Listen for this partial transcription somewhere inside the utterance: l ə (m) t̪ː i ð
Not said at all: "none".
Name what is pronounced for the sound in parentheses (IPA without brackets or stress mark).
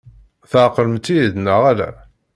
m